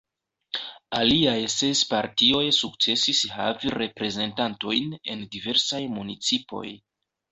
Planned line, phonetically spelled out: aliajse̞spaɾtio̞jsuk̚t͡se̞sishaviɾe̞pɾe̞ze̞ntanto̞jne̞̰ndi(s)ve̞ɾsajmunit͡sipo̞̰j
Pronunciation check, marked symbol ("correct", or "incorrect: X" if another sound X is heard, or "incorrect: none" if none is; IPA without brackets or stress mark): incorrect: none